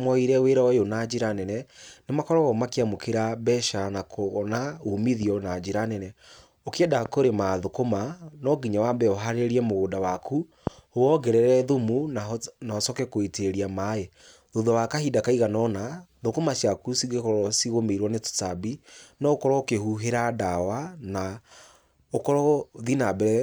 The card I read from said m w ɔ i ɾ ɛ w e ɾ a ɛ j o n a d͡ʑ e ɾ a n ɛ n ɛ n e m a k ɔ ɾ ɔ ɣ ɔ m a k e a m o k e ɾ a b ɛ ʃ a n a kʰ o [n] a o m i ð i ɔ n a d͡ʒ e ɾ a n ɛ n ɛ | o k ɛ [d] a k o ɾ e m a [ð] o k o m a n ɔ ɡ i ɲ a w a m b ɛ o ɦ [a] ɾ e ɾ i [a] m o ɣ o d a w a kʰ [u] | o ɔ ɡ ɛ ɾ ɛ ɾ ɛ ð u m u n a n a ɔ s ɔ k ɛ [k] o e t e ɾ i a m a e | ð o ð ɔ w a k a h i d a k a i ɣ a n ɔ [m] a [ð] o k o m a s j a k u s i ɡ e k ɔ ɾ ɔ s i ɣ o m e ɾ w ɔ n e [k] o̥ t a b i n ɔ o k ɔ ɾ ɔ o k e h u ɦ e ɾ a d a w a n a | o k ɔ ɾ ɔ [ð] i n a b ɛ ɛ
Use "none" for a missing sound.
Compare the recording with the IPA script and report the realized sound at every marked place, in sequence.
n, d, ð, a, ɛ, u, k, n, ð, t, ð

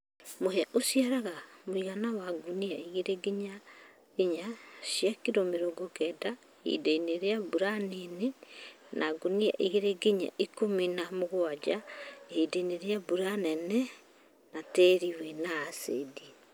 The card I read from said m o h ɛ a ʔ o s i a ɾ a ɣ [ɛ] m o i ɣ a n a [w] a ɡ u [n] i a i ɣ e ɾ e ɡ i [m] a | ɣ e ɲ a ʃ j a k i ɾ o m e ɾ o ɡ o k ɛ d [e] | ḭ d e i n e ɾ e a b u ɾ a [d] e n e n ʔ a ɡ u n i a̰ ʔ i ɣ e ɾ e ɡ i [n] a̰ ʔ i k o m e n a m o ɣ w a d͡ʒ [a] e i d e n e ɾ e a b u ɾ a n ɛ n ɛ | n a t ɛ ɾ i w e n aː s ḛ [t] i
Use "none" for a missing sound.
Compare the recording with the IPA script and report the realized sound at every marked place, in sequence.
a, w, n, ɲ, a, n, ɲ, a, d

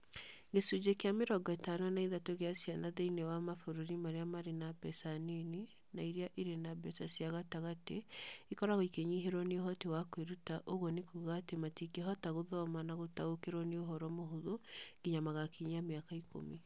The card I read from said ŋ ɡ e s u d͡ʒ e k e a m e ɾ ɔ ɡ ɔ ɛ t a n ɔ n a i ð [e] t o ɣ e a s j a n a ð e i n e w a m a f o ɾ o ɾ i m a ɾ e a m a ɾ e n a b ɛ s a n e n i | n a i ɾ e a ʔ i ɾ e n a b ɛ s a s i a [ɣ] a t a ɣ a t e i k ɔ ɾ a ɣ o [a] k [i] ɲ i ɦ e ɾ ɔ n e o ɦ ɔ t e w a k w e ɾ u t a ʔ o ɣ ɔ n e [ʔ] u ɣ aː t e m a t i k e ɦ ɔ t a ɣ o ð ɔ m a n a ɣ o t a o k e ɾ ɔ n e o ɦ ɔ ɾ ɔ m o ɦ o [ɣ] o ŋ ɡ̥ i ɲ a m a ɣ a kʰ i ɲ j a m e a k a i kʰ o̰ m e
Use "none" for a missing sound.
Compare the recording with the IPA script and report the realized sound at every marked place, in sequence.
a, ɣ, i, e, k, ð

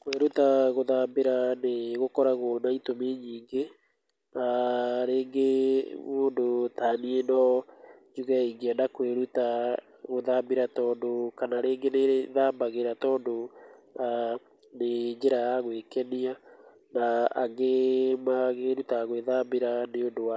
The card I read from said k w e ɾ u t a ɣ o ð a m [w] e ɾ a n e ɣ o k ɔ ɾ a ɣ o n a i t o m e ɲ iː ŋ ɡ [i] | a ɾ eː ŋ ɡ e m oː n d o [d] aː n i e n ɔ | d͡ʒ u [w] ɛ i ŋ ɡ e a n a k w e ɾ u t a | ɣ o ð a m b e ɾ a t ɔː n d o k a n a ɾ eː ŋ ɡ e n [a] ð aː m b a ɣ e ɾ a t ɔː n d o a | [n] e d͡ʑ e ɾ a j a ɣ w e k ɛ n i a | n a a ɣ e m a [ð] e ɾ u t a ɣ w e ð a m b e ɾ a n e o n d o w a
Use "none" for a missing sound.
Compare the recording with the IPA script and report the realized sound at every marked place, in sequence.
b, e, t, ɣ, e, n, ɣ

